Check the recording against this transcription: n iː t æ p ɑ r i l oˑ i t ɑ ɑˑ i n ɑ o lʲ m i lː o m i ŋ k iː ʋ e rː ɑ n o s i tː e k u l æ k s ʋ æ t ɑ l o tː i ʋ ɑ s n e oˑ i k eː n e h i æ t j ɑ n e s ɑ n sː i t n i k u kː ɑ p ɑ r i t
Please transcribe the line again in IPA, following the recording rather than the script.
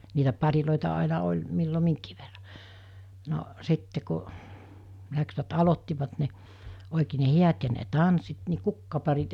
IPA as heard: n iː t æ p ɑ r i l oˑ i t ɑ ɑˑ i n ɑ o lʲ m i lː o m i ŋ k iː ʋ e rː ɑ n o s i tː e k u l æ k s ʋ æ t ɑ l o tː i ʋ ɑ t n e oˑ i k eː n e h i æ t j ɑ n e t ɑ n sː i t n i k u kː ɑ p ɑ r i t

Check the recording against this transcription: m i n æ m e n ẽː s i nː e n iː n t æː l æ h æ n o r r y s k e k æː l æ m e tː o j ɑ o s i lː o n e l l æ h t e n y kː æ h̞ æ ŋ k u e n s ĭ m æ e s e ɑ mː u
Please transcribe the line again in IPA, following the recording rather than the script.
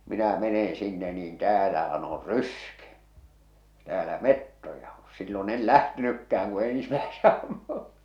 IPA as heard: m i n æ m e n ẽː s i nː e n iː n t æː l æ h æ n o r r y s k e t æː l æ m e tː o j ɑ o s i lː o n e l l æ h t e n y kː æ h̞ æ ŋ k u e n s ĭ m æ e s e ɑ mː u

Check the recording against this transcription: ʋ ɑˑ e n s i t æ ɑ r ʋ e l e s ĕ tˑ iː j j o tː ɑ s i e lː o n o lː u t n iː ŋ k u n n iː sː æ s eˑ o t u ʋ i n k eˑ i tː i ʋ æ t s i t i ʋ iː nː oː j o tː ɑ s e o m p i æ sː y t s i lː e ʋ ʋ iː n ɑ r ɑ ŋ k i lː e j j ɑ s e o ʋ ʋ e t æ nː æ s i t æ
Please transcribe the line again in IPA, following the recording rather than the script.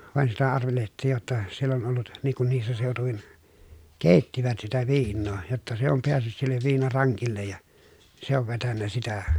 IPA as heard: ʋ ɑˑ e n s i t æ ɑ r ʋ e l e h ĕ tˑ iː j j o tː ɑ s i e lː o n o lː u t n iː ŋ k u n n iː sː æ s eˑ o t u ʋ i n k eˑ i tː i ʋ æ t s i t æ ʋ iː nː oː j o tː ɑ s e o m p e æ sː y t s i lː e ʋ ʋ iː n ɑ r ɑ ŋ k i lː e j j ɑ s e o ʋ ʋ e t æ nː æ s i t æ

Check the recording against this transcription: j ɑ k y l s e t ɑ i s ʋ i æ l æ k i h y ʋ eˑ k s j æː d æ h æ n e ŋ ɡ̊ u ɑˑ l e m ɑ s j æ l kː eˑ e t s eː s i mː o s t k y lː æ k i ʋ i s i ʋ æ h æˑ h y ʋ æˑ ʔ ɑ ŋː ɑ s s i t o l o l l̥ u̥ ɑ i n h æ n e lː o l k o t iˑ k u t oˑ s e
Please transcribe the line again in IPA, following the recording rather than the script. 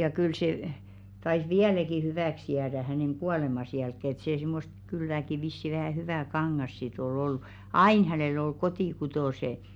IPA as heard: j ɑ k y l s e t ɑ i s ʋ i æ l æ k i h y ʋ æˑ k s j æː d æ h æ n e ŋ ɡ̊ u ɑˑ l e m ɑ s j æ l kː eˑ e t s eː s i mː o s t k y lː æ k i ʋ i sː i ʋ æ h æˑ h y ʋ æˑ k ɑ ŋː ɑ s s i t o l o l l̥ u̥ ɑ i n h æ n e lː o l k o t iˑ k u t oˑ s e

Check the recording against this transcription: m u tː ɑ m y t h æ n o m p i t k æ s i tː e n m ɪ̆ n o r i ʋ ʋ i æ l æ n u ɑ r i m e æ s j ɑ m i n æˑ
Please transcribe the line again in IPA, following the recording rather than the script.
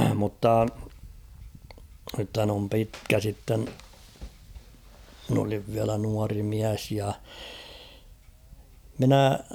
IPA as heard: m u tː ɑ n y t h æ n o m p i t k æ s i tː e n m ɪ̆ n o l i ʋ ʋ i æ l æ n u ɑ r i m i æ s j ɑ m i n æˑ

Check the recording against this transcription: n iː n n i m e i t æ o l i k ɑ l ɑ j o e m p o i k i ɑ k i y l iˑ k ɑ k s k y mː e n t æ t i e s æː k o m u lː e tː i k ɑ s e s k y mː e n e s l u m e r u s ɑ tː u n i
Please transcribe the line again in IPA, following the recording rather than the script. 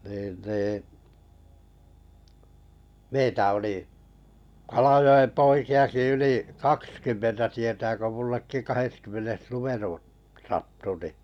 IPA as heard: n iː n n iː m e i t æ o l i k ɑ l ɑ j o e m p o i k i ɑ k i y l iˑ k ɑ k s k y mː e n t æ t i e t æː k o m u lː e kː i k ɑ h e s k y mː e n e s l u m e r u s ɑ tː u n i

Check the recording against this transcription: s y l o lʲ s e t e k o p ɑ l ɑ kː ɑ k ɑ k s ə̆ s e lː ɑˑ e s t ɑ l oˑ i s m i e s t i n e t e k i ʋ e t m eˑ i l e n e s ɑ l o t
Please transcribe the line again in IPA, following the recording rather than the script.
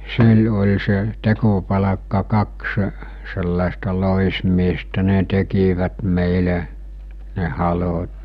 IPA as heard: s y l o lʲ s e t e k o p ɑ l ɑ kː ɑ k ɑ k s ə̆ s e lː ɑˑ e s t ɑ l oˑ i s m i e s t æ n e t e k i ʋ æ t m eˑ i l e n e h ɑ l o t

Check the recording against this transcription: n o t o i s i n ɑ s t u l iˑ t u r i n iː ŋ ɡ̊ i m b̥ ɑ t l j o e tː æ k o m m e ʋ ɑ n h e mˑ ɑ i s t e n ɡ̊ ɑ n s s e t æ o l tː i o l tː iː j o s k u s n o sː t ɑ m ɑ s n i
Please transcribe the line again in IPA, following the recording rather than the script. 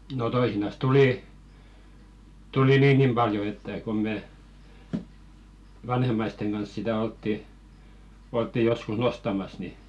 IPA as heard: n o t o i s i n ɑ s t u l iˑ t u l i n iː ŋ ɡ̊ i m b̥ ɑ l j o e tː æ k o m m e ʋ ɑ n h e mˑ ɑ i s t e ŋ ɡ̊ ɑ n s s i t æ o l tː i o l tː i j o s k u s n o s t ɑ m ɑ s n i

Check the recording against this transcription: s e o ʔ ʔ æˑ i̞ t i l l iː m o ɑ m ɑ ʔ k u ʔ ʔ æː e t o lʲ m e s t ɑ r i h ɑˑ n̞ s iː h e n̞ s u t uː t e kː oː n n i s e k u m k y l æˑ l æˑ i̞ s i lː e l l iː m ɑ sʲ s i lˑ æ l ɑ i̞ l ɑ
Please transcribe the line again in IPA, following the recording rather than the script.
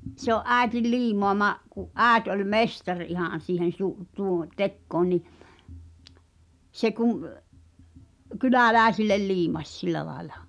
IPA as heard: s e o ʔ ʔ æˑ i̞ t i l l iː m o ɑ m ɑ ʔ k u ʔ ʔ æː e t o lʲ m e s t ɑ r i h ɑˑ n̞ s iː h e n̞ s u t uː t e kː oː n n i s e k u m k y l æˑ l æˑ i̞ s i lː e l l iː m ɑ sʲ s i lˑ æ l ɑ i̞ l ɑ

